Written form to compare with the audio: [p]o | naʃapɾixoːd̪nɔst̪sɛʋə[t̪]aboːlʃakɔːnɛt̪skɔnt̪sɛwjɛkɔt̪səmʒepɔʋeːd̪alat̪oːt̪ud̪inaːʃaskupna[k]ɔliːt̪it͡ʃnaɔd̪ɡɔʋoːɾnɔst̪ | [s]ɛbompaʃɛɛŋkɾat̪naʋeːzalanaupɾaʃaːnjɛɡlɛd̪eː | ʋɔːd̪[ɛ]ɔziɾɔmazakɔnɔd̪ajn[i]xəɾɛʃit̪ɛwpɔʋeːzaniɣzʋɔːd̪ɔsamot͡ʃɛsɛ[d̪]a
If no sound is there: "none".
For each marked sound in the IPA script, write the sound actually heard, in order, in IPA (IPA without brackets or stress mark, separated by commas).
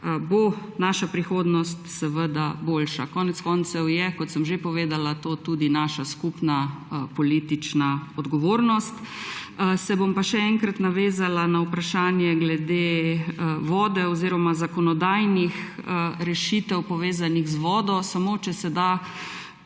b, d̪, p, s, ɛ, i, d̪